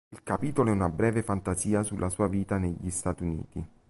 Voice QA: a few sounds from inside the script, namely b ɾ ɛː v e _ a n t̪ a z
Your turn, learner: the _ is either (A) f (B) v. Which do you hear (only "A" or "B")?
A